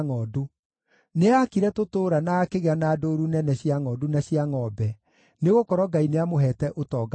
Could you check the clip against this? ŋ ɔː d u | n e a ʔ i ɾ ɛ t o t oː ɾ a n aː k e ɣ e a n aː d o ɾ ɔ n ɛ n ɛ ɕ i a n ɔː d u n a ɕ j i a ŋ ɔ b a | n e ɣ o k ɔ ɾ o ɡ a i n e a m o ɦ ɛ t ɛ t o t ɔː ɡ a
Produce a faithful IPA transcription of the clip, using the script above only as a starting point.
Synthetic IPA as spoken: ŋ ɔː d u | n e a k i ɾ ɛ t o t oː ɾ a n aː k e ɣ e a n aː d o ɾ u n ɛ n ɛ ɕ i a ŋ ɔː d u n a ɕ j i a ŋ ɔ b ɛ | n e ɣ o k ɔ ɾ ɔ ɡ a i n e a m o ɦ ɛ t ɛ ʔ o t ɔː ɡ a

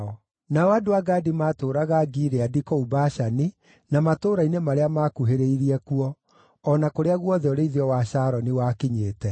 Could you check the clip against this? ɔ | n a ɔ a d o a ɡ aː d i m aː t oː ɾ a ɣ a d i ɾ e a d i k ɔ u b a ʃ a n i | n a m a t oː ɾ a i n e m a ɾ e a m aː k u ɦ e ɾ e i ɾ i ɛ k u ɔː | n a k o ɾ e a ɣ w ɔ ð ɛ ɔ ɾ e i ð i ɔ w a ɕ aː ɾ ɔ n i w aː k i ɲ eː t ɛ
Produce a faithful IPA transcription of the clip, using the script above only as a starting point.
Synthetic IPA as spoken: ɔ | n a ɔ a d o a ɡ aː d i m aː t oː ɾ a ɣ a ɡ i ɾ e a d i k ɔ u b a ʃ a n i | n a m a t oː ɾ a i n e m a ɾ e a m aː k u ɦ e ɾ e i ɾ i ɛ k u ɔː | n a k o ɾ e a ɣ w ɔ ð ɛ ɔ ɾ e i ð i ɔ w a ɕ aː ɾ ɔ n i w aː k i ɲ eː t ɛ

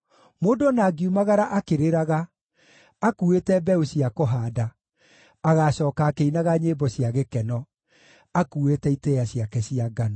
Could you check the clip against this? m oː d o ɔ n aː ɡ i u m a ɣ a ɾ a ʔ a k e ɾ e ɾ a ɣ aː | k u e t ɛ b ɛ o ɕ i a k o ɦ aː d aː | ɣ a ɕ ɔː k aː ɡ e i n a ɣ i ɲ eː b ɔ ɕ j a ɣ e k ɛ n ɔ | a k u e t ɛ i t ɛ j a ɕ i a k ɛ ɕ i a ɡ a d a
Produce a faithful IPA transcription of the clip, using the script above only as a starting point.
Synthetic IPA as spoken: m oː d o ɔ n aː ɡ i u m a ɣ a ɾ a ʔ a k e ɾ e ɾ a ɣ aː | k u e t ɛ b ɛ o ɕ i a k o ɦ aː d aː | ɣ a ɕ ɔː k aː k e i n a ɣ a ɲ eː b ɔ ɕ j a ɣ e k ɛ n ɔ | a k u e t ɛ i t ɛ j a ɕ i a k ɛ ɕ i a ɡ a n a

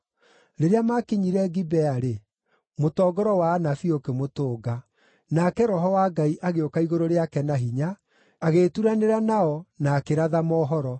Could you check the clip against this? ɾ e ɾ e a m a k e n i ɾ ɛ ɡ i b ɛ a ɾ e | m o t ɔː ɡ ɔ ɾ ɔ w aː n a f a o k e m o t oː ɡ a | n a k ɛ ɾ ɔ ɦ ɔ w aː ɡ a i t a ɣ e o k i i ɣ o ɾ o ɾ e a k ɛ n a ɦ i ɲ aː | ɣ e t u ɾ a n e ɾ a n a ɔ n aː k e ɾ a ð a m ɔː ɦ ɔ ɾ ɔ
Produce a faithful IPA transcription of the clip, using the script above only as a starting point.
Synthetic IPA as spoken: ɾ e ɾ e a m a k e ɲ i ɾ ɛ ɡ i b ɛ a ɾ e | m o t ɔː ɡ ɔ ɾ ɔ w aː n a f i o k e m o t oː ɡ a | n a k ɛ ɾ ɔ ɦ ɔ w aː ɡ a i ʔ a ɣ e o k a i ɣ o ɾ o ɾ e a k ɛ n a ɦ i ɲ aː | ɣ e t u ɾ a n e ɾ a n a ɔ n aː k e ɾ a ð a m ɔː ɦ ɔ ɾ ɔ

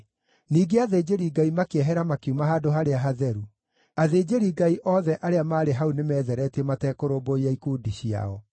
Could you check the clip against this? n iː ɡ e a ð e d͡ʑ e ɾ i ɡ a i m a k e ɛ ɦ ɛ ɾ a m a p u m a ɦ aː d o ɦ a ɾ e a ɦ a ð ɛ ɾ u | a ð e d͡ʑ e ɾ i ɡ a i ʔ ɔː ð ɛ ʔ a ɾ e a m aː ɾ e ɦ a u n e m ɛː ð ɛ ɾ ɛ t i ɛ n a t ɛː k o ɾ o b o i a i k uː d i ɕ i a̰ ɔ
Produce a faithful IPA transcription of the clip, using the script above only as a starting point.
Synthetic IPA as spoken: n iː ɡ e a ð e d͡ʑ e ɾ i ɡ a i m a k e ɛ ɦ ɛ ɾ a m a k u m a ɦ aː d o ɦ a ɾ e a ɦ a ð ɛ ɾ u | a ð e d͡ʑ e ɾ i ɡ a i ʔ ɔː ð ɛ ʔ a ɾ e a m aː ɾ e ɦ a u n e m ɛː ð ɛ ɾ ɛ t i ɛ m a t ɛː k o ɾ o b o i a i k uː d i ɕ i a̰ ɔ

